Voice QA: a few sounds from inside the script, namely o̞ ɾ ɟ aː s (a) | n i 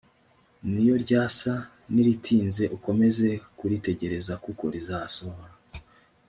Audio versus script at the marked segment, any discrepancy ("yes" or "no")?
no